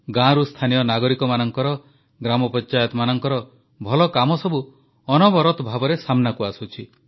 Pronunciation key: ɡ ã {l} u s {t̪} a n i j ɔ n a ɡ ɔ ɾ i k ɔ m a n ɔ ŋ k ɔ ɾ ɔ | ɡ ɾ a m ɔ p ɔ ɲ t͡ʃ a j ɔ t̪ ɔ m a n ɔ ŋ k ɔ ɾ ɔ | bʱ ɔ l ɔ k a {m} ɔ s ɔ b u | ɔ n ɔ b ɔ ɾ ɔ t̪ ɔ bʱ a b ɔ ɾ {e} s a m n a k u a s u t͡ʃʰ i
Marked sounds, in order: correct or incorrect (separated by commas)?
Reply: incorrect, incorrect, correct, correct